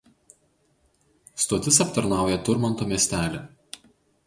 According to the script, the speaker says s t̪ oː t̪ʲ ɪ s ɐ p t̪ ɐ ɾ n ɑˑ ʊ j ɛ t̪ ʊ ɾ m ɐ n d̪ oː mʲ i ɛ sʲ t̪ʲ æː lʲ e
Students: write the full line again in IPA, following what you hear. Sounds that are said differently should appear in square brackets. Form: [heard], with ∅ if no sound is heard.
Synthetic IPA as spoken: s t̪ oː t̪ʲ ɪ s ɐ p t̪ ɐ ɾ n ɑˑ ʊ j ɛ t̪ ʊ ɾ m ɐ n [t̪] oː mʲ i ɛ sʲ t̪ʲ æː lʲ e